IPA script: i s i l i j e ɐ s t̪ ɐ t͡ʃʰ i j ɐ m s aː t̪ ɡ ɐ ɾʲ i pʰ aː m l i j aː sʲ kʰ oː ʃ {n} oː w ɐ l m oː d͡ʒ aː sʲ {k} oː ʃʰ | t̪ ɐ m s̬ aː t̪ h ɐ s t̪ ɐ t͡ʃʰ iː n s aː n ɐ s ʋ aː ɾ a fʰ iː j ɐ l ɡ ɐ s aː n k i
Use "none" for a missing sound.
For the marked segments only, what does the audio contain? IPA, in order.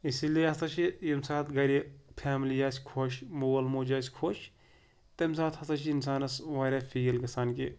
m, kʰ

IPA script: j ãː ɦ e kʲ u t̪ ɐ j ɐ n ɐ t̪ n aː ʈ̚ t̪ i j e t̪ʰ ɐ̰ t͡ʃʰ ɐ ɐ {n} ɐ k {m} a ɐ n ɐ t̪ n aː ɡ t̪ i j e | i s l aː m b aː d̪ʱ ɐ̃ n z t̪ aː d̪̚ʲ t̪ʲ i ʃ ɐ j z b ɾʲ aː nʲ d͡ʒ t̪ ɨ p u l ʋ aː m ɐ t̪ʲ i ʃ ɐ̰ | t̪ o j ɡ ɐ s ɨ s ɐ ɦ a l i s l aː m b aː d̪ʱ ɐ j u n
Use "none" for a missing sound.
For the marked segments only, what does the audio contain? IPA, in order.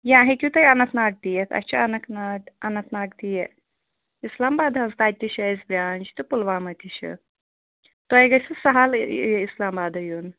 n, n

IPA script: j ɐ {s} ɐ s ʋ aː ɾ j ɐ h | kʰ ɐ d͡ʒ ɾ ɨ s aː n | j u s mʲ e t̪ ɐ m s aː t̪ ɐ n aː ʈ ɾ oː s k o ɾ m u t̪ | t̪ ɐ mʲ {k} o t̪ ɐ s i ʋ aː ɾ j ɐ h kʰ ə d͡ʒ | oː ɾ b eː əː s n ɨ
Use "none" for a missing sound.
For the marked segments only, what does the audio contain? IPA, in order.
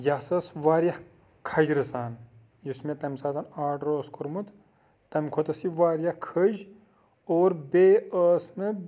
s, kʰ

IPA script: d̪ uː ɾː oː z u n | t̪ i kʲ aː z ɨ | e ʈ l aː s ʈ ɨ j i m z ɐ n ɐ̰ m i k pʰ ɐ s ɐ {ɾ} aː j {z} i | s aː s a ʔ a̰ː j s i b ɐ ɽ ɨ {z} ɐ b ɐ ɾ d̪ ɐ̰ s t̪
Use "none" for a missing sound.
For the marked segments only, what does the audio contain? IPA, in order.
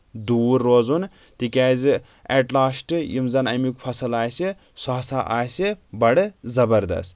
l, s, z

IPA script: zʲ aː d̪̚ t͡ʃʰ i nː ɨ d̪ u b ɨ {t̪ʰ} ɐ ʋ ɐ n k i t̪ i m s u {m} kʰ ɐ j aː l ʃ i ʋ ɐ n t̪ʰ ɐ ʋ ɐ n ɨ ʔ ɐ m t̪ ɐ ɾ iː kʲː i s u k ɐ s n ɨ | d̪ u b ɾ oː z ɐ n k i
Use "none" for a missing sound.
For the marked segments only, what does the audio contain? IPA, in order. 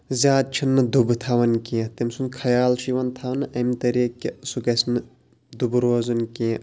t̪ʰ, n

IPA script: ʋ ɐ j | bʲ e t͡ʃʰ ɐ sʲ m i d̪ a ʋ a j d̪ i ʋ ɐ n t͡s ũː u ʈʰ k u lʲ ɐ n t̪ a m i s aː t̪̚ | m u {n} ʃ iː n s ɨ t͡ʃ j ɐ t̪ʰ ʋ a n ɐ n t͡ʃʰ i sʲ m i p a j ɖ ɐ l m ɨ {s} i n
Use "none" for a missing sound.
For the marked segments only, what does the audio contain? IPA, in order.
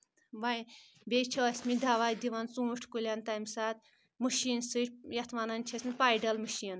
none, ʃ

